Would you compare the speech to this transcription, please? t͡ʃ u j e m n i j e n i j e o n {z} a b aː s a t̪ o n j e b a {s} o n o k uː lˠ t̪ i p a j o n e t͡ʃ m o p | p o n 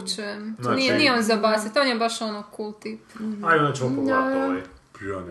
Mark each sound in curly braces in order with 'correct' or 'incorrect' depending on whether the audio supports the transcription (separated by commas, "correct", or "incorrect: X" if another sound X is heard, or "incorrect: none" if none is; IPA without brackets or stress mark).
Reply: correct, incorrect: ʃ